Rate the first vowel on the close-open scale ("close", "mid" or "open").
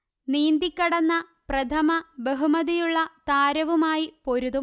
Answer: close